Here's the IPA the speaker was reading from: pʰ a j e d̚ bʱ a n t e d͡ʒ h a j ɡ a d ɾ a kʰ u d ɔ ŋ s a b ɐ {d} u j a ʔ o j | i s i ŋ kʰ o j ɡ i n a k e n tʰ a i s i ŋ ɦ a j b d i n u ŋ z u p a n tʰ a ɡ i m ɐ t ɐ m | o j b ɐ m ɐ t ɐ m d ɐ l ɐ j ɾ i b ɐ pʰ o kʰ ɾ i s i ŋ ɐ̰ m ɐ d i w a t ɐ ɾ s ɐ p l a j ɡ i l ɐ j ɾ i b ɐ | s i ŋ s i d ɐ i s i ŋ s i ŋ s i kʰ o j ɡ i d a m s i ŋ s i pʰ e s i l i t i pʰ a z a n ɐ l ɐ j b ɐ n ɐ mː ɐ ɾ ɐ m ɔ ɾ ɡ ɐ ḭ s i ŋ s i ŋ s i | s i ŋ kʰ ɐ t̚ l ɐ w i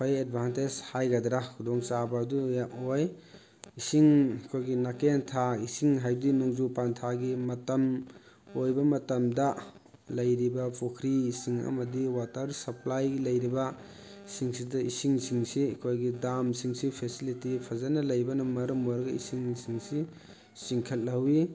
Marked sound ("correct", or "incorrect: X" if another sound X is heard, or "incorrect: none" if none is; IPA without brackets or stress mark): correct